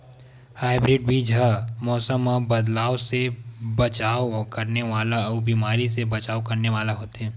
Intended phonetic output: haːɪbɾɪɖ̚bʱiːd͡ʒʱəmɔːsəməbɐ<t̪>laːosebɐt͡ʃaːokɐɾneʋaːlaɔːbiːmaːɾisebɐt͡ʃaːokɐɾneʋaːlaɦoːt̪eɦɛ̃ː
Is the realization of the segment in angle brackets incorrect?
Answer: yes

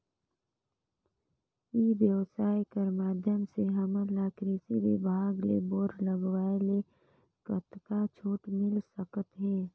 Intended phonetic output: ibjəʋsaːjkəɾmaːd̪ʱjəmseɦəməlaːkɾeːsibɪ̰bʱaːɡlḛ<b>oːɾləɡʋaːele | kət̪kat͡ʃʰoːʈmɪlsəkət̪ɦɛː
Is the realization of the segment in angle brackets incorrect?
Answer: no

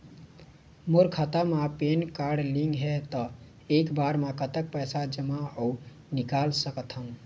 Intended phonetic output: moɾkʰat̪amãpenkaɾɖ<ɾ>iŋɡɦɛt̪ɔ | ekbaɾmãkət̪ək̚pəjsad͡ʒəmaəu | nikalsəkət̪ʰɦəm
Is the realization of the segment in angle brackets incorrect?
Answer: yes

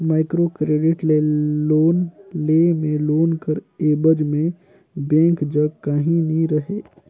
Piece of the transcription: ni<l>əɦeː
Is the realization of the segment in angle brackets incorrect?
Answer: yes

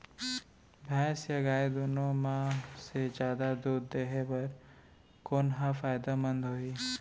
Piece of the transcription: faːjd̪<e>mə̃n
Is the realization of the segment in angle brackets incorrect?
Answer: yes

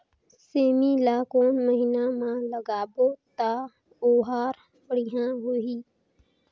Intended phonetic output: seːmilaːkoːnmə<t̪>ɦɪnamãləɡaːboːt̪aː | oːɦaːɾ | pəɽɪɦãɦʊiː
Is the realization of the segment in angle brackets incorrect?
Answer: yes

